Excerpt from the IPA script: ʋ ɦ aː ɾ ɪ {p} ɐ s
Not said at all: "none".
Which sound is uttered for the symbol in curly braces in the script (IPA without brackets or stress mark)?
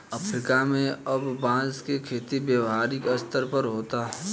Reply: k